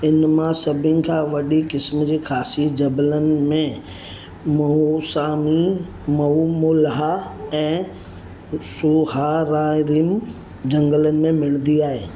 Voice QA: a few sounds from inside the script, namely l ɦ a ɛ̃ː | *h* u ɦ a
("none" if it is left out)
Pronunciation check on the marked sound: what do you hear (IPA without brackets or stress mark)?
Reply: s